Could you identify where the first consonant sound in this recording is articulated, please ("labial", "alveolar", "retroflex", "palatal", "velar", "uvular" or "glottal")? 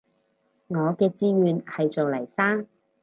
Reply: velar